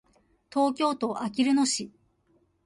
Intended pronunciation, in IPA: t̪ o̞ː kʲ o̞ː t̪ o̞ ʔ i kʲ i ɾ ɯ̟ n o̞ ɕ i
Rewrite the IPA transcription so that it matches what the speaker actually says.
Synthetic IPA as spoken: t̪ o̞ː kʲ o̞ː t̪ o̞ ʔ a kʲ i ɾ ɯ̟ n o̞ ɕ i